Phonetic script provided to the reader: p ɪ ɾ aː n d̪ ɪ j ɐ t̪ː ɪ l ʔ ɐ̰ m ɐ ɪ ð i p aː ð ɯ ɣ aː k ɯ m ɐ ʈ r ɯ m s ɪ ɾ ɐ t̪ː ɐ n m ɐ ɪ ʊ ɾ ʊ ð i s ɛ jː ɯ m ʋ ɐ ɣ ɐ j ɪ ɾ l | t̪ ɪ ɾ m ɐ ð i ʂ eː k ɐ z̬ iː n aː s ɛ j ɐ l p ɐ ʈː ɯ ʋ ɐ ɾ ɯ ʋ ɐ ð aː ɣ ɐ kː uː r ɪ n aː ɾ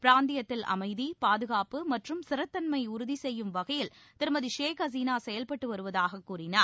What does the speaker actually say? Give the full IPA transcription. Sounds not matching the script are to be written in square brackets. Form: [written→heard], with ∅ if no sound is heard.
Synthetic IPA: p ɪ ɾ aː n d̪ ɪ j ɐ t̪ː ɪ l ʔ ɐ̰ m ɐ ɪ ð i p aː ð ɯ ɣ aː [k→p] ɯ m ɐ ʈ r ɯ m s ɪ ɾ ɐ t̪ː ɐ n m ɐ ɪ ʊ ɾ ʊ ð i s ɛ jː ɯ m ʋ ɐ ɣ ɐ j ɪ [ɾ→∅] l | t̪ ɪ ɾ m ɐ ð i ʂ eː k ɐ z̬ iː n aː s ɛ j ɐ l p ɐ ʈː ɯ ʋ ɐ ɾ ɯ ʋ ɐ ð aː ɣ ɐ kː uː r ɪ n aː ɾ